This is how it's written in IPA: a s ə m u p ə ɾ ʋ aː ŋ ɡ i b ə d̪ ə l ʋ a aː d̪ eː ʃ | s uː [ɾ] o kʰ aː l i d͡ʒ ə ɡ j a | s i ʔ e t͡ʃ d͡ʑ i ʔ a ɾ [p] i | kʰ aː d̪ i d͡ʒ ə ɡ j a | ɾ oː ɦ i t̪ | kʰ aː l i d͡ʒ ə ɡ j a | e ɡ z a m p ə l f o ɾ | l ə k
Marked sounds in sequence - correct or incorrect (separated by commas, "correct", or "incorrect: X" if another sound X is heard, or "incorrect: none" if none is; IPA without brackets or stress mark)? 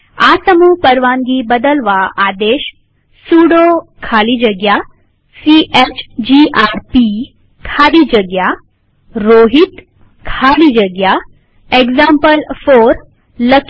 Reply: incorrect: ɽ, correct